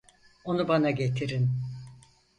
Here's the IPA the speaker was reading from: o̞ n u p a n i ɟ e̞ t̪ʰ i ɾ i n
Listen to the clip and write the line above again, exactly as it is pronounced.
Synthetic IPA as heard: o̞ n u b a n a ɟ e̞ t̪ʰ i ɾ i n